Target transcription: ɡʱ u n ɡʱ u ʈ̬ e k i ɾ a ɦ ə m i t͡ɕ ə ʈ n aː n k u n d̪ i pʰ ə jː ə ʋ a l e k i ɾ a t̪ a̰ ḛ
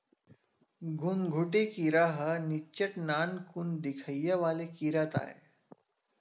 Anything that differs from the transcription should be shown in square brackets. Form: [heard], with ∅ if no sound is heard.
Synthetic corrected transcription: ɡʱ u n ɡʱ u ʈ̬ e k i ɾ a ɦ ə [n] i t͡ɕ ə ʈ n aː n k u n d̪ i [kʰ] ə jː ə ʋ a l e k i ɾ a t̪ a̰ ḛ